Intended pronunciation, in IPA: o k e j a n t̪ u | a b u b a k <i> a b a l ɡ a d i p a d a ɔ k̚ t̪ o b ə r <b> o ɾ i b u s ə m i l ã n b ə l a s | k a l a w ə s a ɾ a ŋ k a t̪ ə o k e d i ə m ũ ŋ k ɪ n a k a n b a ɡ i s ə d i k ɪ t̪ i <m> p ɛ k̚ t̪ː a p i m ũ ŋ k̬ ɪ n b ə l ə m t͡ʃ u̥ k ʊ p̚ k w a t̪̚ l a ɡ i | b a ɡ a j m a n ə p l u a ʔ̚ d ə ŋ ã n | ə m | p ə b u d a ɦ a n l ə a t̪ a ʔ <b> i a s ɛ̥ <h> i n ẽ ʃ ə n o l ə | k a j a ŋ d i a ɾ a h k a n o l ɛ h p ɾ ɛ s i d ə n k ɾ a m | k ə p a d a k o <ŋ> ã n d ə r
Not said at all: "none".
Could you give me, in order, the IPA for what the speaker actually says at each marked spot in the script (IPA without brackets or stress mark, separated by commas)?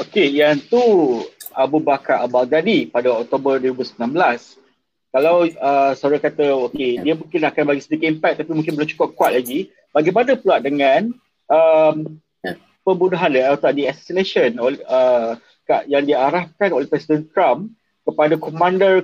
a, d, m, d, s, m